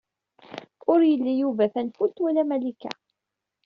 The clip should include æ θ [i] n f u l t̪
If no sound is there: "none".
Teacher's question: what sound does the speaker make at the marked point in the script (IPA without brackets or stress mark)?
æ